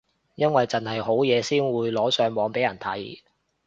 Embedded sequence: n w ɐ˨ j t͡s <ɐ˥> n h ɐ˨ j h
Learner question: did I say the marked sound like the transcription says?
no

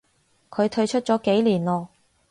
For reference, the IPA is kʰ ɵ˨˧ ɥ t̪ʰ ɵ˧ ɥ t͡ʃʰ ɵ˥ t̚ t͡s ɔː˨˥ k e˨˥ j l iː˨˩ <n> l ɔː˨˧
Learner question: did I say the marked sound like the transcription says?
yes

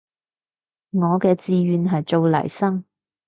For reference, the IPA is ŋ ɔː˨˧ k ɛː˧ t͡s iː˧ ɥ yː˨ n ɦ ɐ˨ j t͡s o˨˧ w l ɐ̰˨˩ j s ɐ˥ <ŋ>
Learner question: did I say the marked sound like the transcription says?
yes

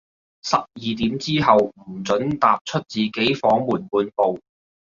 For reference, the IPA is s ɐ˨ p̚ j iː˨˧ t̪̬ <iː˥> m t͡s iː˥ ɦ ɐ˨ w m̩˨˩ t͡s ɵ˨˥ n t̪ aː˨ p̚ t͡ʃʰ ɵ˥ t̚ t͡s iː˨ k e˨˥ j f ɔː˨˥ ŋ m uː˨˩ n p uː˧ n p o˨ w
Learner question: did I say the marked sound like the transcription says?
no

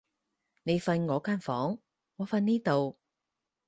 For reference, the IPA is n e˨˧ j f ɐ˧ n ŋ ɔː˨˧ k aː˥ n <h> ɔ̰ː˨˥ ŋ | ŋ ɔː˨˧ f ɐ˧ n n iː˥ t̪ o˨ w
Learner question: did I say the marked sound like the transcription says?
no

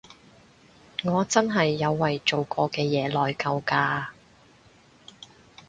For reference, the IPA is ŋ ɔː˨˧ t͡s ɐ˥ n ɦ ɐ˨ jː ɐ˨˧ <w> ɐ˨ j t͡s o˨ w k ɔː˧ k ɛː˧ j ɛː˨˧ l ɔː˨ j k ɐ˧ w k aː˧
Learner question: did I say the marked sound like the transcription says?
no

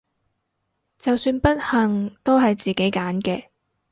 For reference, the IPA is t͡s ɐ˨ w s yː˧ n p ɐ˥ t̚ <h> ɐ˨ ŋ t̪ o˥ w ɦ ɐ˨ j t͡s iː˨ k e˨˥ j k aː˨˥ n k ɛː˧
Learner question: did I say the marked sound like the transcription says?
yes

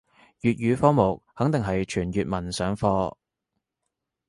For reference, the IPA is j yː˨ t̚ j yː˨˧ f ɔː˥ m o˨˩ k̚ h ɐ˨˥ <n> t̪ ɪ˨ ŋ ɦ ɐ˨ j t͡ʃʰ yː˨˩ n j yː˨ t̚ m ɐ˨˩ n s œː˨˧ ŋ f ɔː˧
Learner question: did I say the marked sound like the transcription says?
no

